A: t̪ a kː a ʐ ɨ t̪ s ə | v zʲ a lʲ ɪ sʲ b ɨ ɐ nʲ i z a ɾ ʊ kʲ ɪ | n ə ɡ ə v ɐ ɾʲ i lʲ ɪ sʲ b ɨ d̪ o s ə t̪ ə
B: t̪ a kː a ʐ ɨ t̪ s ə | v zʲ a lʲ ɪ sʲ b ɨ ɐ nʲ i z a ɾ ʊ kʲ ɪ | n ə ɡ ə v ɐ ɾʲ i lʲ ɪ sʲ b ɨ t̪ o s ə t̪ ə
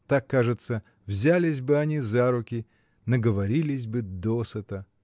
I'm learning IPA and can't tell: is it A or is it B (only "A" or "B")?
A